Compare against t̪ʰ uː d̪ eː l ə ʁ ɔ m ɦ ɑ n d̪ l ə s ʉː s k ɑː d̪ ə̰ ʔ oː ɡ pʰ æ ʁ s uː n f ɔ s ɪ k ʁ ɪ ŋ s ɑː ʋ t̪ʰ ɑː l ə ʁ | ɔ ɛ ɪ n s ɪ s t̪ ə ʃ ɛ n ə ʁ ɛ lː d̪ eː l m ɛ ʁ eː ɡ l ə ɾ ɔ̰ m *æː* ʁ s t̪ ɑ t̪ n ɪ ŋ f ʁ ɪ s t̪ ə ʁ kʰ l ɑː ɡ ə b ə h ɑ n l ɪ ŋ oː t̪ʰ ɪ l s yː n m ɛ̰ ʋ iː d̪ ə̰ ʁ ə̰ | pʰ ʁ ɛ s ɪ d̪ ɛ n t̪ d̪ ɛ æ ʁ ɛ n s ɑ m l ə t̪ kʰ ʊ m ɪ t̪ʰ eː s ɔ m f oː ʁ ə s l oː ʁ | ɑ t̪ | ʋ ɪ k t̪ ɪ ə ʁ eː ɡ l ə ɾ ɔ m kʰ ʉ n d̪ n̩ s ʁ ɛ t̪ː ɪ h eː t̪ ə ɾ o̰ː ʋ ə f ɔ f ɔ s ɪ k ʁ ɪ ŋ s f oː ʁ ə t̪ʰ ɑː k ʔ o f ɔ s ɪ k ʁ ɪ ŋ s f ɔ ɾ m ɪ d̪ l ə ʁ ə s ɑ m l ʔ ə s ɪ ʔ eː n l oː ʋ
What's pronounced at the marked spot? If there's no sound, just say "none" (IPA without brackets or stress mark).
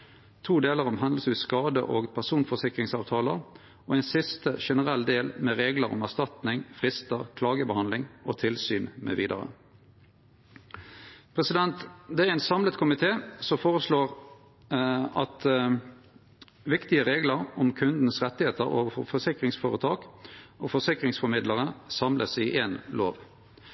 æ